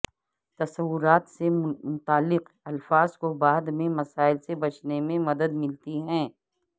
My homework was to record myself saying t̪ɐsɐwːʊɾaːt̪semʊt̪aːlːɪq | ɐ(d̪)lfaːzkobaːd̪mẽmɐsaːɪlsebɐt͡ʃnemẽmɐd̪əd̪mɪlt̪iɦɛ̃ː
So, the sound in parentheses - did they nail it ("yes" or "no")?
no